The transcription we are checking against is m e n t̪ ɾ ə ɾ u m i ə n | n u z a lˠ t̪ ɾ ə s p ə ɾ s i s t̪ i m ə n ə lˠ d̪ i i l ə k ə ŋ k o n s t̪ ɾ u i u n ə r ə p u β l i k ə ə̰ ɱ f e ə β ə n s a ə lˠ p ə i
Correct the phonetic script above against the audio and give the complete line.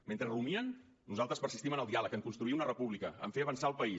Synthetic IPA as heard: m e n t̪ ɾ ə r u m i ə n | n u z a lˠ t̪ ɾ ə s p ə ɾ s i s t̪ i m ə n ə lˠ d̪ i a l ə k ə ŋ k u n s t̪ ɾ u i u n ə r ə p u β l i k ə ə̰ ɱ f e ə β ə n s a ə lˠ p ə i